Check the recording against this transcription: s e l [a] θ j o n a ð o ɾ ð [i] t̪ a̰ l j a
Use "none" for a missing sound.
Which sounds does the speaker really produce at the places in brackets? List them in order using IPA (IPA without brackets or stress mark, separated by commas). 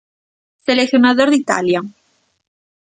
e, i